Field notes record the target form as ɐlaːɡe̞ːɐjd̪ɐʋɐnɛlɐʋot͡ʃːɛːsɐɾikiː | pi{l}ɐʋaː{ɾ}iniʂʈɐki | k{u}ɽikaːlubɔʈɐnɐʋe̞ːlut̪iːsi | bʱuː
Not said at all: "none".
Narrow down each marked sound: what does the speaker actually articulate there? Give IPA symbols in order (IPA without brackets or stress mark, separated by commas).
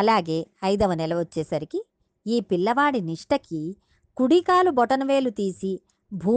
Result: lː, ɽ, u